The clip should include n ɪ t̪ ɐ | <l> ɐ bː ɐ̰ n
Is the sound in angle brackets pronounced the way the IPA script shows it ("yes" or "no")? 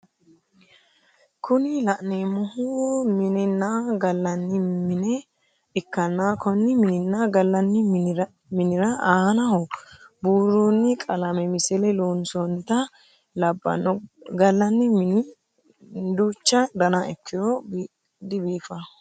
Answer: yes